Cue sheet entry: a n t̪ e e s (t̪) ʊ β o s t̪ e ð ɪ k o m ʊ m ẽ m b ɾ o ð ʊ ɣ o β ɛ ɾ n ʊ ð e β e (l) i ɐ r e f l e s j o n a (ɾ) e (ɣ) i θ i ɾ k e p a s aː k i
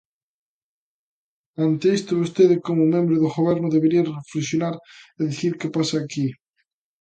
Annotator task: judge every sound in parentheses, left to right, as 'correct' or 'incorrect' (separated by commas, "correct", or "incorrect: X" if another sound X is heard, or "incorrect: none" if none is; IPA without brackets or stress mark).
correct, incorrect: ɾ, correct, incorrect: ð